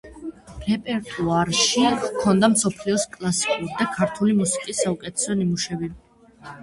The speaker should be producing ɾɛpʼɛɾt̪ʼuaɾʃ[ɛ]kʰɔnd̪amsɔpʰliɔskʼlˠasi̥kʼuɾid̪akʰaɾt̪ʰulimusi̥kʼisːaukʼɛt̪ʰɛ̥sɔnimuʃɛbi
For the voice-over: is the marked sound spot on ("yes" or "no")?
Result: no